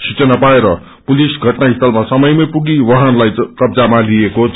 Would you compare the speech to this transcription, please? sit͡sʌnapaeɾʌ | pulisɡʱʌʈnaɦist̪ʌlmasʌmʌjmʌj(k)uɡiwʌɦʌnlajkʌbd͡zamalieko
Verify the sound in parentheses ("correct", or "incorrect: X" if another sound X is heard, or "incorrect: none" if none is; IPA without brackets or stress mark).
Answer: incorrect: p